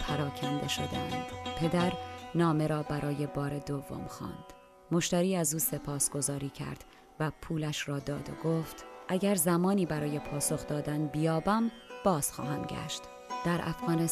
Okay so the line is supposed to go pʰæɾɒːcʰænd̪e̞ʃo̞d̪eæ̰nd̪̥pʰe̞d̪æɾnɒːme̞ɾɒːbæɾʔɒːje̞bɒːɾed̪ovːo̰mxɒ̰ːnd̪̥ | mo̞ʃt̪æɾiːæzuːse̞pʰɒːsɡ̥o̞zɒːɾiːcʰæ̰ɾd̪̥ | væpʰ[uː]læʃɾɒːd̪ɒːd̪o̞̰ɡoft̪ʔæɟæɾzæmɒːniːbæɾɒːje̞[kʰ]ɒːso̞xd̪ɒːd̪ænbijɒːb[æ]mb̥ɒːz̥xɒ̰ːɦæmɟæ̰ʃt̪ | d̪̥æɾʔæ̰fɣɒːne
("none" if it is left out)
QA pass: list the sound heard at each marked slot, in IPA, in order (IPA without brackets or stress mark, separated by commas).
uː, pʰ, æ